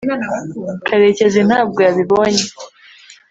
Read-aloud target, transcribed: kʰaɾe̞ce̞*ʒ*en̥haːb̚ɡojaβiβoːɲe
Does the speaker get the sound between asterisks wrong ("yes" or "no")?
yes